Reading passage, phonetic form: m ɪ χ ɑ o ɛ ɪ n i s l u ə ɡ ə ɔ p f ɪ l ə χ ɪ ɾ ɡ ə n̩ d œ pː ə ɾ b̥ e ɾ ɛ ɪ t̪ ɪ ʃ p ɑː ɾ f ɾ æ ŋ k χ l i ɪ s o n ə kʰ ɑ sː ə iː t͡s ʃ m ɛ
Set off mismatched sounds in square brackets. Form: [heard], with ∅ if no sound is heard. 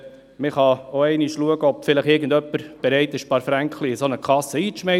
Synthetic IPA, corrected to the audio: m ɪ χ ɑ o ɛ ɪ n i [ʃ] l u ə ɡ ə ɔ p f ɪ l ə χ ɪ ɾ ɡ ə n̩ d œ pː ə ɾ b̥ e ɾ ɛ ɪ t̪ ɪ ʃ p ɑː ɾ f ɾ æ ŋ k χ l i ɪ s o n ə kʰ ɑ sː ə iː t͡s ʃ m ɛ